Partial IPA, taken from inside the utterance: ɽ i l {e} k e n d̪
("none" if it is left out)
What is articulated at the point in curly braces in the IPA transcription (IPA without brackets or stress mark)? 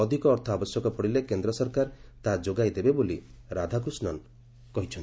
e